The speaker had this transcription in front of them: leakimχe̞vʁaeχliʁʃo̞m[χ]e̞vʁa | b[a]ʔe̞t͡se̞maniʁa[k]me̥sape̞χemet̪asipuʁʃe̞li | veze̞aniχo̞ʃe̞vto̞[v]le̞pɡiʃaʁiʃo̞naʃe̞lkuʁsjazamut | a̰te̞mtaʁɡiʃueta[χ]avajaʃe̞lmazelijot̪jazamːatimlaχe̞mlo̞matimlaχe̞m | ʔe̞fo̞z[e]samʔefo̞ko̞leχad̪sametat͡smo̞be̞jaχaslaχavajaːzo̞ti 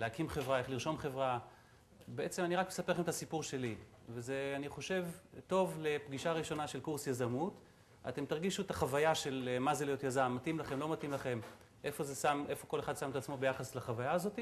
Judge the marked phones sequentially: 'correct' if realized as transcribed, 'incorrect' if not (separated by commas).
correct, incorrect, correct, correct, correct, correct